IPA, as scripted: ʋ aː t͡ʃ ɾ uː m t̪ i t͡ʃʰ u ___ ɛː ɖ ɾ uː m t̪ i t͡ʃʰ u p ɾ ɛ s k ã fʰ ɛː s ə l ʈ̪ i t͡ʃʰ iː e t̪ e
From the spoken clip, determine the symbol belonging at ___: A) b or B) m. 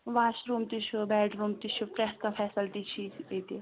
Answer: A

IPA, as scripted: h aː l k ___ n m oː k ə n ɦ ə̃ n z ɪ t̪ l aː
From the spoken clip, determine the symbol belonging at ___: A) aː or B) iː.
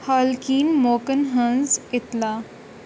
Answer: B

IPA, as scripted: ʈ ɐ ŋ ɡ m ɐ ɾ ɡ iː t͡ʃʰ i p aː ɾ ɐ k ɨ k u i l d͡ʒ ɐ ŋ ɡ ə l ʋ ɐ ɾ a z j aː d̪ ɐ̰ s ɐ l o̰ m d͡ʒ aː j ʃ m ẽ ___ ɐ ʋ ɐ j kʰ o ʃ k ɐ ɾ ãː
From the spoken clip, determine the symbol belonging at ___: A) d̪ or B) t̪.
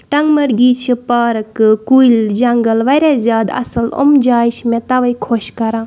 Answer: B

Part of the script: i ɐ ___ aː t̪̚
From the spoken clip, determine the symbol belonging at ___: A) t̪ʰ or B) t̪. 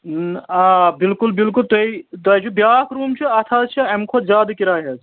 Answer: A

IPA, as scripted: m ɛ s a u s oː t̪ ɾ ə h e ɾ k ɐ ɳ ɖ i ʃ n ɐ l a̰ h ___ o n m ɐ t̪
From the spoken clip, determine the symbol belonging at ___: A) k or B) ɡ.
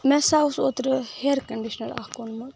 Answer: A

